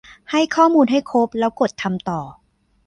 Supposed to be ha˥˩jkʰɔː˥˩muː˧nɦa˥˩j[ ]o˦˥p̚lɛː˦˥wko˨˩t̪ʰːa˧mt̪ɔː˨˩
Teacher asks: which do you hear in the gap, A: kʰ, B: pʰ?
A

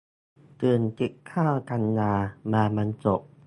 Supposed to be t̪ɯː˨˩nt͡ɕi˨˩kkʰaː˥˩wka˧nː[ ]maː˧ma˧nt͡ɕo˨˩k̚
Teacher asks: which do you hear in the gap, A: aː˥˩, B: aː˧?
B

